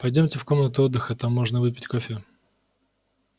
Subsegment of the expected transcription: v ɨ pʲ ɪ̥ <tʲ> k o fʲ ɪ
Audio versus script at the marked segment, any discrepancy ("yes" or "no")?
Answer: no